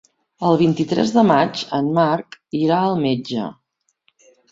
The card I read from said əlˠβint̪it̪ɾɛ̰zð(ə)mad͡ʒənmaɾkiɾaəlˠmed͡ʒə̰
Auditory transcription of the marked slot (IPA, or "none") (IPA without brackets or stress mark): ə